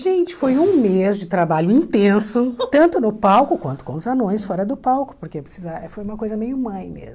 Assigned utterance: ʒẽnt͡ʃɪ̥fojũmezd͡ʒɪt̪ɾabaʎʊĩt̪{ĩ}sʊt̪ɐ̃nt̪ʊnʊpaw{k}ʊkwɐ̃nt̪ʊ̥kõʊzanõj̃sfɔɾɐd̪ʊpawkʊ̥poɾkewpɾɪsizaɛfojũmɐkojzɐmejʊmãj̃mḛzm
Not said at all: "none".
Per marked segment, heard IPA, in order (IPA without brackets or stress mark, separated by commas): ẽ, k